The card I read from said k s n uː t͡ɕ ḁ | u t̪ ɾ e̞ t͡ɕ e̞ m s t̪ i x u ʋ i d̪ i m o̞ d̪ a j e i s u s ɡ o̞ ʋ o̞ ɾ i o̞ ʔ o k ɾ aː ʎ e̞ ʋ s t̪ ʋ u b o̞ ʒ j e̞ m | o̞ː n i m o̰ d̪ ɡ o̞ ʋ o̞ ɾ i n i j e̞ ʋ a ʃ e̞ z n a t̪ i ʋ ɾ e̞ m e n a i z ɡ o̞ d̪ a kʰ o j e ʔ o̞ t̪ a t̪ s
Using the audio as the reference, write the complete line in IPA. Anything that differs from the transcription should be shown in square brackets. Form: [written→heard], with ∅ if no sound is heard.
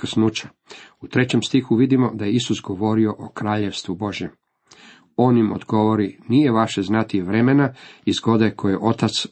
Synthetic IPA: k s n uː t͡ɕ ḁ | u t̪ ɾ e̞ t͡ɕ e̞ m s t̪ i x u ʋ i d̪ i m o̞ d̪ a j e i s u s ɡ o̞ ʋ o̞ ɾ i o̞ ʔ o k ɾ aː ʎ e̞ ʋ s t̪ ʋ u b o̞ ʒ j e̞ m | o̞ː n i m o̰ d̪ ɡ o̞ ʋ o̞ ɾ i n i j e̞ ʋ a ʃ e̞ z n a t̪ i ʋ ɾ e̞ m e n a i z ɡ o̞ d̪ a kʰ o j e ʔ o̞ t̪ a t̪ s